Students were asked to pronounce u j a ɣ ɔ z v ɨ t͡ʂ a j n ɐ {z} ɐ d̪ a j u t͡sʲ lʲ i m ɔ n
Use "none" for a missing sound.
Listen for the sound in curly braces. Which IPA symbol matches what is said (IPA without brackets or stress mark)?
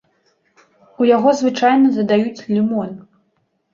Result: z